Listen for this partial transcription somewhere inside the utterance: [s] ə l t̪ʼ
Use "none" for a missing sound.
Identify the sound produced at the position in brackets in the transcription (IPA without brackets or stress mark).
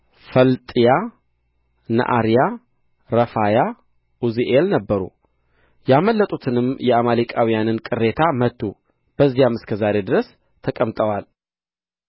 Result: f